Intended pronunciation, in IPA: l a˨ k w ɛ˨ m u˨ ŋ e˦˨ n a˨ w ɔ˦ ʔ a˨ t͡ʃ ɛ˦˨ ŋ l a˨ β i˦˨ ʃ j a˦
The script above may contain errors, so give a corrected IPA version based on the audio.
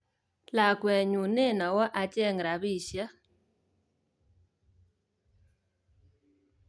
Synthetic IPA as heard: l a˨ k w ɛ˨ ɲ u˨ n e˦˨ n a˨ w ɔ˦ ʔ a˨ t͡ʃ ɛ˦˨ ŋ ɾ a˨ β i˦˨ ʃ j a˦

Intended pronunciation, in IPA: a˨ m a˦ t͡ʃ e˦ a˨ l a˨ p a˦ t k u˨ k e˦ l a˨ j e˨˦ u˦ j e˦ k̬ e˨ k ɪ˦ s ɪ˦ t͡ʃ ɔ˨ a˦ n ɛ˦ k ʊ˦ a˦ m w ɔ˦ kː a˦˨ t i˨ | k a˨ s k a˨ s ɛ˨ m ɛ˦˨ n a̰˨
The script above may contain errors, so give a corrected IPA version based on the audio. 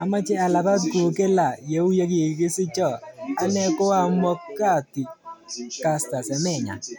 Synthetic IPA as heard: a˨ m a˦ t͡ʃ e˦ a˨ l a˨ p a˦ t k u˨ k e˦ l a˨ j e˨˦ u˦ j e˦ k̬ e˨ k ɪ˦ s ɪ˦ t͡ʃ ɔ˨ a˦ n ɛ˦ k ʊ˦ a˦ m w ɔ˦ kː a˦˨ t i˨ | k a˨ s t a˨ s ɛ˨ m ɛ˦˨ ɲ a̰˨

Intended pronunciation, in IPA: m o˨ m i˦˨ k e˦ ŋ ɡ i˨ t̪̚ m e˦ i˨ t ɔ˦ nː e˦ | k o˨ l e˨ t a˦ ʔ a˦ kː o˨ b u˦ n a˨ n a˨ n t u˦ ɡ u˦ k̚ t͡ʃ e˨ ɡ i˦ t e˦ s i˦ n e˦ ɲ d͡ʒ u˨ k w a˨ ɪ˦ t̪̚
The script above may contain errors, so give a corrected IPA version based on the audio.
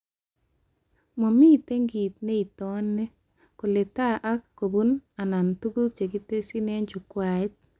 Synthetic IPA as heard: m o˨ m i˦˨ t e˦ ŋ ɡ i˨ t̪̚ n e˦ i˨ t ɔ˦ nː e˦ | k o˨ l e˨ t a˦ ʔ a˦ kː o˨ b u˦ n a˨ n a˨ n t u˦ ɡ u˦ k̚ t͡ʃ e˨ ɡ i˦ t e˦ s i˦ n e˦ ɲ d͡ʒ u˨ k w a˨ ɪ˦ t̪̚

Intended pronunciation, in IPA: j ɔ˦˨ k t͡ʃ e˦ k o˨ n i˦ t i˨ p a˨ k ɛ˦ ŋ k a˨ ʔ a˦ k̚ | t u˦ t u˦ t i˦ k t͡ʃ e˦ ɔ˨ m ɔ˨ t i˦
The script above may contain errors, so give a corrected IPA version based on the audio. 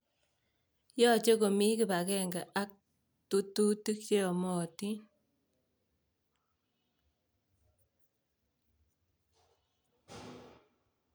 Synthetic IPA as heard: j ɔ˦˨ t͡ʃ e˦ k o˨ m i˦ k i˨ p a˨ k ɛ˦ ŋ ɡ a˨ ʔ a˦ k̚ | t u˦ t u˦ t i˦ k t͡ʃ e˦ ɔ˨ m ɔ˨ t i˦

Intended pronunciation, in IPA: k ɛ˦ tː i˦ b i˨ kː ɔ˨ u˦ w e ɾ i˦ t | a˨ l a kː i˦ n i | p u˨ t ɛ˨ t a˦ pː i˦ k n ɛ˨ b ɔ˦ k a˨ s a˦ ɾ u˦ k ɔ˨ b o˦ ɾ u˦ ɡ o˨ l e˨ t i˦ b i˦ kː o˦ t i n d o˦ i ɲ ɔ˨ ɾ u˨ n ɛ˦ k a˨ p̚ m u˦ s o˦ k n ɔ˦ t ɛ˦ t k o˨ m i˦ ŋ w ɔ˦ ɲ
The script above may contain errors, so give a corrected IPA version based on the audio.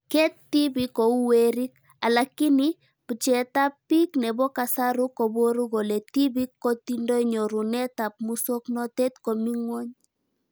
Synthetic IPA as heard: k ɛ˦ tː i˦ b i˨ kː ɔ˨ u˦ w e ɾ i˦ k | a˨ l a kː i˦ n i | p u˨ t͡ʃ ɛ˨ t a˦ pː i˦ k n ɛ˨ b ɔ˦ k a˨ s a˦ ɾ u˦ k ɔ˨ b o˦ ɾ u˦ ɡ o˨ l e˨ t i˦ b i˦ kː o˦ t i n d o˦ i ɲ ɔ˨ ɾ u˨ n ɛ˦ t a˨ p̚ m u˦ s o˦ k n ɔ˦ t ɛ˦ t k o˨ m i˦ ŋ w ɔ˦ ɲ

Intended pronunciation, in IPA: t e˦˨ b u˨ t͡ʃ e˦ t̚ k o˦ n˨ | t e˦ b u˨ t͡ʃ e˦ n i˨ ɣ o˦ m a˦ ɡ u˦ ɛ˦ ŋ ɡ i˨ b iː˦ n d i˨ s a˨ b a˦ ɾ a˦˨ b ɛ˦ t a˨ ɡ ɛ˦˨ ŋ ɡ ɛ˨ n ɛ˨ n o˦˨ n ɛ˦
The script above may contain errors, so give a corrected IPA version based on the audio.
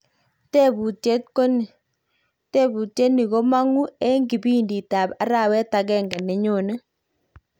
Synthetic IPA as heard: t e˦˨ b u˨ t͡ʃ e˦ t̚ k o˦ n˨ | t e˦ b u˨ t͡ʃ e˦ n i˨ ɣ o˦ m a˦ ŋ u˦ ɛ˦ ŋ ɡ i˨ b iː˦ n d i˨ t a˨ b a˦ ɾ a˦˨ w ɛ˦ t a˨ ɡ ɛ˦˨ ŋ ɡ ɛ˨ n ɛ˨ ɲ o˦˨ n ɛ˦

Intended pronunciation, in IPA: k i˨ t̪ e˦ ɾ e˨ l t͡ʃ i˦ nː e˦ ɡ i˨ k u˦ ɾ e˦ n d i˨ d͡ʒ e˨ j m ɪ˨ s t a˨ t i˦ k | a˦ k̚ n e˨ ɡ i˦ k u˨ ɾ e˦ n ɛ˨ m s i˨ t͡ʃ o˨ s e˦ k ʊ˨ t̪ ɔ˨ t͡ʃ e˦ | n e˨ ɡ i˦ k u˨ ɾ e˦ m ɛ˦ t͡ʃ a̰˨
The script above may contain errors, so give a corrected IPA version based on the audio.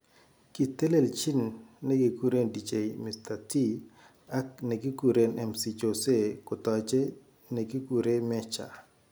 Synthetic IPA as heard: k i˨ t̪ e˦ l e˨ l t͡ʃ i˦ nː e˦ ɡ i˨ k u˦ ɾ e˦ n d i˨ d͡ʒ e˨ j m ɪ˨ s t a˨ t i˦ | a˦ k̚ n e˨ ɡ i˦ k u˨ ɾ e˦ n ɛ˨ m s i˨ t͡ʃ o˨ s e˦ k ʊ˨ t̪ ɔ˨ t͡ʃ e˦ | n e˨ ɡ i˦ k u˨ ɾ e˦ m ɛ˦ t͡ʃ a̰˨

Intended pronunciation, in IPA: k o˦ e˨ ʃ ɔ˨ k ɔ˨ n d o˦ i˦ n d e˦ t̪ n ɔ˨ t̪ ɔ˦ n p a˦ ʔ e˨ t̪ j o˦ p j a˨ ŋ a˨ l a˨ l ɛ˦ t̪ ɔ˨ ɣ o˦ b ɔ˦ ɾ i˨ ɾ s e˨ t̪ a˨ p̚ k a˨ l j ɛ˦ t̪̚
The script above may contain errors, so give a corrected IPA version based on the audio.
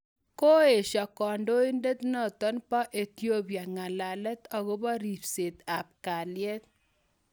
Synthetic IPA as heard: k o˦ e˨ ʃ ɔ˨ k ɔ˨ n d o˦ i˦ n d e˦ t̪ n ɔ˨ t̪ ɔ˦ n p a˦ ʔ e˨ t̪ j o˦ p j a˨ ŋ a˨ l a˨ l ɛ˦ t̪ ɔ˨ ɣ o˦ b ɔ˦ ɾ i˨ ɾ s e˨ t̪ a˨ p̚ k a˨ l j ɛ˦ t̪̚

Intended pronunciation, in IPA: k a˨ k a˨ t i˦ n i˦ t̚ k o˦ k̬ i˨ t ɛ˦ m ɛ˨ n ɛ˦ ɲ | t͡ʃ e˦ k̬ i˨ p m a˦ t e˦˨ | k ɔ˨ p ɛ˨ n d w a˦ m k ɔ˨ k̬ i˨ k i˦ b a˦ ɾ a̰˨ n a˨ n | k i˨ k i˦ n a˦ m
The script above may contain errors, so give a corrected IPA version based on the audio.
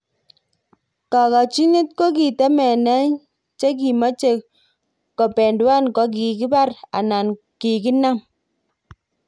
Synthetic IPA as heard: k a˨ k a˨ t͡ʃ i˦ n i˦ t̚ k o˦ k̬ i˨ t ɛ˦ m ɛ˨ n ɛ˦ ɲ | t͡ʃ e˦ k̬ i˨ m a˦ t͡ʃ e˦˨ | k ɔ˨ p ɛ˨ n d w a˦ n k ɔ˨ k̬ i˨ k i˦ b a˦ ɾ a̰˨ n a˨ n | k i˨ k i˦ n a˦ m

